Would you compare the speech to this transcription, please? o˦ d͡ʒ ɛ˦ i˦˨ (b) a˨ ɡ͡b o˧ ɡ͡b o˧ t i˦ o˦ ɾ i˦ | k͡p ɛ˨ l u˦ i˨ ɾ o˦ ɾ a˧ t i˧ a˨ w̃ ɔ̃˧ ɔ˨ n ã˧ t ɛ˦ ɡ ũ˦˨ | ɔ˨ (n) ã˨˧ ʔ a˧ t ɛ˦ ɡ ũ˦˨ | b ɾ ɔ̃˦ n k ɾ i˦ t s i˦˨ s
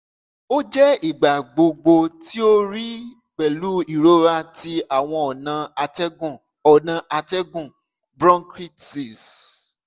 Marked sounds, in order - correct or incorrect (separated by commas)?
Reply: incorrect, correct